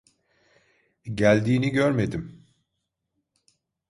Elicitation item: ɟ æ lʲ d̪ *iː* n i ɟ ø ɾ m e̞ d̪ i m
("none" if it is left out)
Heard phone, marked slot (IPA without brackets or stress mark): iː